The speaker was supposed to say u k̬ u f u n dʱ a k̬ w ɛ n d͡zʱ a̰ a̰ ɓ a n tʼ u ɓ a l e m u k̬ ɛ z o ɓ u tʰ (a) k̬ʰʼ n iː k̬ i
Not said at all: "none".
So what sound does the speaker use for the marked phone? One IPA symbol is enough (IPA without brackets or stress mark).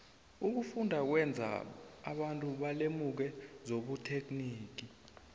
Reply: e